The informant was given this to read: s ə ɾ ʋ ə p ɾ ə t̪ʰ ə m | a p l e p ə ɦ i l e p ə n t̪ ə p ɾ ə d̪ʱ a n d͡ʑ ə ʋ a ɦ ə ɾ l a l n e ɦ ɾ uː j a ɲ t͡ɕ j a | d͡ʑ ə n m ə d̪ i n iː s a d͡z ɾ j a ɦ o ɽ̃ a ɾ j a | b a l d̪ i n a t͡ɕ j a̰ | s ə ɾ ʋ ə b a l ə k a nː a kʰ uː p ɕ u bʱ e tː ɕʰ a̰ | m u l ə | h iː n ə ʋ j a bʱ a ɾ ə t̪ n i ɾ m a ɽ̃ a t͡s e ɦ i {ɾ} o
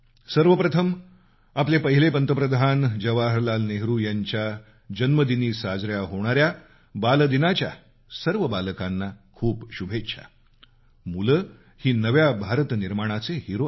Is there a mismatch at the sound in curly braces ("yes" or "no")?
no